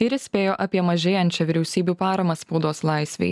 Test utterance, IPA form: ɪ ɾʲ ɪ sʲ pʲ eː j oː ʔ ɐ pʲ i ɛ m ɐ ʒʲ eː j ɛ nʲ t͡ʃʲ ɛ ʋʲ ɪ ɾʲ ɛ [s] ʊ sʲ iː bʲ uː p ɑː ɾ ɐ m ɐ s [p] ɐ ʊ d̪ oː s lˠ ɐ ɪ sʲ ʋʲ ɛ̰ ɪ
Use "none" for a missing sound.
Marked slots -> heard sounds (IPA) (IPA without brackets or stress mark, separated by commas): none, p